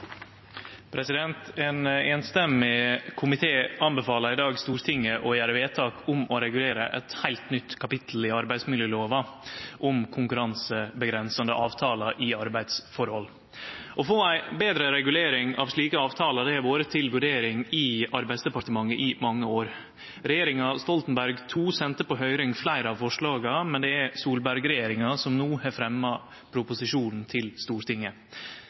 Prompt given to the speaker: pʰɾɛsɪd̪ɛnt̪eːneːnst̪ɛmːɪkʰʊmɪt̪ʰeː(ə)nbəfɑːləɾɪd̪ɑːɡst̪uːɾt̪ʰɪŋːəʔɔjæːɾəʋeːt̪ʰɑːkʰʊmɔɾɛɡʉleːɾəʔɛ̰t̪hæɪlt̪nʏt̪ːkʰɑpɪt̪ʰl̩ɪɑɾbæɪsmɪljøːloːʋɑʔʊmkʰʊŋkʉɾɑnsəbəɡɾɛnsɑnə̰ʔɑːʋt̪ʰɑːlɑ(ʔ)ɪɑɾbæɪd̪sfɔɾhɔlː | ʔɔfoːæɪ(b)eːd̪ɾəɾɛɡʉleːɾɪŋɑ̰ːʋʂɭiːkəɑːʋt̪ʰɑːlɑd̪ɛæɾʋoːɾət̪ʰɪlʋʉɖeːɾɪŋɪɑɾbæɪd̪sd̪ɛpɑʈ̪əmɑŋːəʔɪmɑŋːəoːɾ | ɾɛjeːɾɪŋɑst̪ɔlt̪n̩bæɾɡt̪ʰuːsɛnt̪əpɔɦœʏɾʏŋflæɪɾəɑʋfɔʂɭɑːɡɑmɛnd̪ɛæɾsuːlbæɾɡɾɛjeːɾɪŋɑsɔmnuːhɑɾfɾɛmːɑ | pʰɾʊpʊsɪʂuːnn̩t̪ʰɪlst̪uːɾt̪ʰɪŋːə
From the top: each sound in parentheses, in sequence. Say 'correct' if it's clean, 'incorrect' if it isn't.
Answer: incorrect: ɑ, correct, correct

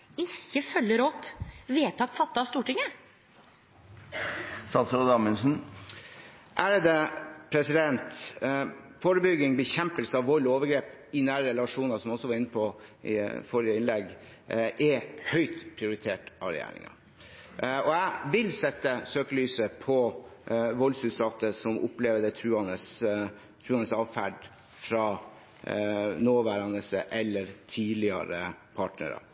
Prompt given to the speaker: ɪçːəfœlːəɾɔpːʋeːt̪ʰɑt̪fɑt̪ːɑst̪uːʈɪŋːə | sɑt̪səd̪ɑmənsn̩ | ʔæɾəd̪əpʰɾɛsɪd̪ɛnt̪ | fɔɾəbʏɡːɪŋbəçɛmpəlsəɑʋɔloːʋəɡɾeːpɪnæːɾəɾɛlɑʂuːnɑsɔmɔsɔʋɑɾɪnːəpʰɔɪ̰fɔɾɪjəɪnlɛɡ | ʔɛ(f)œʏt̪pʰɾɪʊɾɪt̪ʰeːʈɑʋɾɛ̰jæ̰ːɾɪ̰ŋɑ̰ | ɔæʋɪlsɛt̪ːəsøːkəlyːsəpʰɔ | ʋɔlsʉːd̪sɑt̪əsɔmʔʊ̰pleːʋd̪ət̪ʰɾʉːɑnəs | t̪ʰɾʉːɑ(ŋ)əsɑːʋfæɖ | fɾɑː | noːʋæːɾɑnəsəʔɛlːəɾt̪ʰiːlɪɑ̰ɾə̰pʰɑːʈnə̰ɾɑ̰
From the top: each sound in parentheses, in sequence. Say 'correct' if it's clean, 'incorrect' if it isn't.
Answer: incorrect: h, incorrect: n

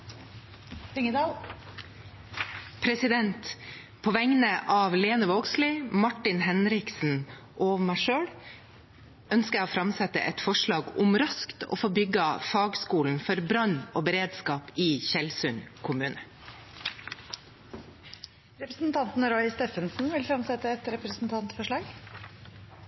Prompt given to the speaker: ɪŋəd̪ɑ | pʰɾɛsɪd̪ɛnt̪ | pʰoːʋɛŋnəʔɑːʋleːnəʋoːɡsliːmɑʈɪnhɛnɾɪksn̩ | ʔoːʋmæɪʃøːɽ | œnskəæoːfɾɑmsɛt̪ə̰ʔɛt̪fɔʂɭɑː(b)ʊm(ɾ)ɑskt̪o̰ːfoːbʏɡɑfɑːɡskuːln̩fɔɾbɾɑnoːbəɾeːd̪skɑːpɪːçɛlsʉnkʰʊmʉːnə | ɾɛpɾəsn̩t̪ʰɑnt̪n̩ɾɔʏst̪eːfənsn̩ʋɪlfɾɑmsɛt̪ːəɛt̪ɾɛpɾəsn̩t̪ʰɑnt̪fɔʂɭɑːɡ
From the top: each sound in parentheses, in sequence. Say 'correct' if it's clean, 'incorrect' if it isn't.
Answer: incorrect: ɡ, correct

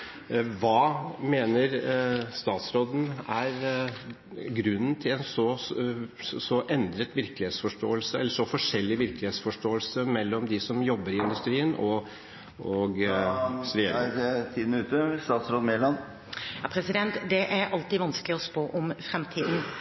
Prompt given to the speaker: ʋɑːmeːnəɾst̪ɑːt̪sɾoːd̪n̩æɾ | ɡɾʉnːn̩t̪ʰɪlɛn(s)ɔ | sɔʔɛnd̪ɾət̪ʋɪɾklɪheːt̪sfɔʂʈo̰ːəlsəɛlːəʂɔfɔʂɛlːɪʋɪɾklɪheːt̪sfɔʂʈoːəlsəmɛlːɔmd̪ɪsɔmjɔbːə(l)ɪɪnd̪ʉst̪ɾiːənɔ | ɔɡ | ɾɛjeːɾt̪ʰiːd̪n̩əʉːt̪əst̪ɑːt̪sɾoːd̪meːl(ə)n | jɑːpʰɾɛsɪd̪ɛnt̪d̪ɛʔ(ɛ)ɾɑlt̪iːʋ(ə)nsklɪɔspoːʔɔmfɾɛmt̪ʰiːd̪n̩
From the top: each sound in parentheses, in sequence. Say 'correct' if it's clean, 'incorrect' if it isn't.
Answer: correct, incorrect: ɾ, incorrect: ɑ, incorrect: æ, incorrect: ɑ

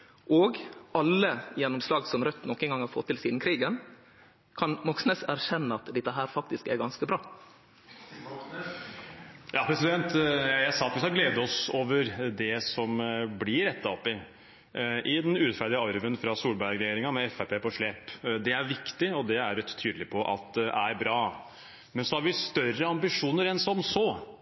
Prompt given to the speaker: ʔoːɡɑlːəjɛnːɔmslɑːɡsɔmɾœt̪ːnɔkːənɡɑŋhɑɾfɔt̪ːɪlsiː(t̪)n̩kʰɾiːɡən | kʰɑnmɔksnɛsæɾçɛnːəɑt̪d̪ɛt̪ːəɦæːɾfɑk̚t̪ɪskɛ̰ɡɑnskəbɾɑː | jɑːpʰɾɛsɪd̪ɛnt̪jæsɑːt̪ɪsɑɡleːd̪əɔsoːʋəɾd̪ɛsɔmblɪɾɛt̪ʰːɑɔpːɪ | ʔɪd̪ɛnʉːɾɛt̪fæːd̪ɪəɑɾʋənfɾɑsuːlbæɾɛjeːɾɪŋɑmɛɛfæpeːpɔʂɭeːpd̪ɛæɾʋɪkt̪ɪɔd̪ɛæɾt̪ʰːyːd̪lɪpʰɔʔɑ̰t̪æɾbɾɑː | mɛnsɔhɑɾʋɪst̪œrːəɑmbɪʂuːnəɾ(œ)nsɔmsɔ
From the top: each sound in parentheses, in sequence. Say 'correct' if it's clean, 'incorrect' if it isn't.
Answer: incorrect: d̪, incorrect: ɛ

